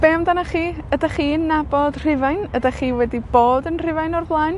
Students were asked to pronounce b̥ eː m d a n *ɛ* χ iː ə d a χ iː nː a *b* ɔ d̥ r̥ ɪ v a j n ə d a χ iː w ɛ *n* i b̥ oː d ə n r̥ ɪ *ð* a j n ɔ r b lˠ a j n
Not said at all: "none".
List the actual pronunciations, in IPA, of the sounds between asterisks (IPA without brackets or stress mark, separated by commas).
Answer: a, b, d, v